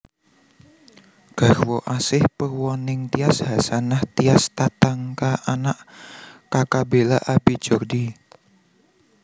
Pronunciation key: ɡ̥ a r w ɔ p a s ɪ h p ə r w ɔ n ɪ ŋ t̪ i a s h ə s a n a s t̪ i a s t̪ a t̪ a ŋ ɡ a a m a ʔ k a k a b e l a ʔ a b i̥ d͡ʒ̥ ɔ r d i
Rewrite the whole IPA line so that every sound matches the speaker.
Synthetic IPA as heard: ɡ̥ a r w ɔ ʔ a s ɪ h p ə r w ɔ n ɪ ŋ t̪ i a s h a s a n a h t̪ i a s t̪ a t̪ a ŋ k a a n a ʔ k a k a b e l a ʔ a b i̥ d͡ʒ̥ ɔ r d i